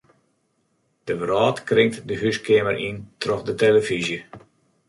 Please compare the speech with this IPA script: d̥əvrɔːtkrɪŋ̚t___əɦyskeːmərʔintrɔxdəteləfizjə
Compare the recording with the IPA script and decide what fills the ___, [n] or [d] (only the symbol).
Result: d